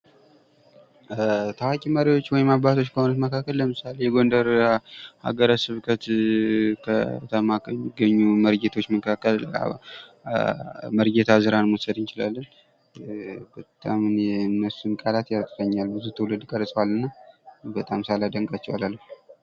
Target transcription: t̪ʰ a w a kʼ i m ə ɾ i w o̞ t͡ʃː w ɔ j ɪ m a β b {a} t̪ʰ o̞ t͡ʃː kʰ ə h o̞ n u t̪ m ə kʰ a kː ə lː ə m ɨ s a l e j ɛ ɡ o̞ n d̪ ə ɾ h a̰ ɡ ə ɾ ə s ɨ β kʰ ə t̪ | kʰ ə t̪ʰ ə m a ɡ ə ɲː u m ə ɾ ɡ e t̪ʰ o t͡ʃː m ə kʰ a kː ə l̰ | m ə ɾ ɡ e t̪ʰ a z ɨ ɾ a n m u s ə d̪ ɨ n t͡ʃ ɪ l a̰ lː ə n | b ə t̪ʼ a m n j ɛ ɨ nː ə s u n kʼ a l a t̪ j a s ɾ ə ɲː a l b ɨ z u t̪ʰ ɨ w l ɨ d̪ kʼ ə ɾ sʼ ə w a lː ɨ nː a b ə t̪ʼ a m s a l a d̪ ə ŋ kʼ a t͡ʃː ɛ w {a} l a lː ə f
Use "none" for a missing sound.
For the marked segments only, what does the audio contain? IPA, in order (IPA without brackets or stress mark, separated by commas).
a, a